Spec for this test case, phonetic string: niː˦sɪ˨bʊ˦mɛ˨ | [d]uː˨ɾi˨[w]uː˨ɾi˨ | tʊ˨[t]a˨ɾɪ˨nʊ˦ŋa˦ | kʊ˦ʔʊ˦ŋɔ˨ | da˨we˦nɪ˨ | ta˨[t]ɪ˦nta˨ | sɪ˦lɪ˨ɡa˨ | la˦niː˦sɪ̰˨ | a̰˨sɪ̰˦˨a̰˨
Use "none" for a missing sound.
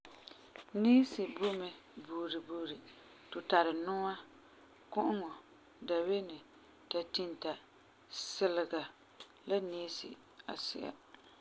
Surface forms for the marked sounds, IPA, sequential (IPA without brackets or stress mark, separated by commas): b, b, t, t